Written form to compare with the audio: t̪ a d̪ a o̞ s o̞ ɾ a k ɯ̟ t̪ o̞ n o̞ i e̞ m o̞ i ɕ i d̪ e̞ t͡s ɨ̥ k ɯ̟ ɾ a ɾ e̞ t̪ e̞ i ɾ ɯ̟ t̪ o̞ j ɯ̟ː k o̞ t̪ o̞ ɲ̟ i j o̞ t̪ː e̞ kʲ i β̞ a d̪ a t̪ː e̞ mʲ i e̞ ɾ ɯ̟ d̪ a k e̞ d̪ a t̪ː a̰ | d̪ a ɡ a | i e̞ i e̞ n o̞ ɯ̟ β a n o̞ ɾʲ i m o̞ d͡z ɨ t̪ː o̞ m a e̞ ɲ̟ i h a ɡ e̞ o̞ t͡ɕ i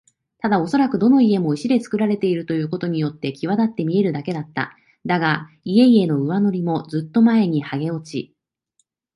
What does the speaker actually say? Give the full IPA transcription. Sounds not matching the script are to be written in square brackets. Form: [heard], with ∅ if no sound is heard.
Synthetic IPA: t̪ a d̪ a o̞ s o̞ ɾ a k ɯ̟ [d̪] o̞ n o̞ i e̞ m o̞ i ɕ i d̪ e̞ t͡s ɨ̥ k ɯ̟ ɾ a ɾ e̞ t̪ e̞ i ɾ ɯ̟ t̪ o̞ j ɯ̟ː k o̞ t̪ o̞ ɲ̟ i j o̞ t̪ː e̞ kʲ i β̞ a d̪ a t̪ː e̞ mʲ i e̞ ɾ ɯ̟ d̪ a k e̞ d̪ a t̪ː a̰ | d̪ a ɡ a | i e̞ i e̞ n o̞ ɯ̟ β a n o̞ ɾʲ i m o̞ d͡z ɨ t̪ː o̞ m a e̞ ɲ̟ i h a ɡ e̞ o̞ t͡ɕ i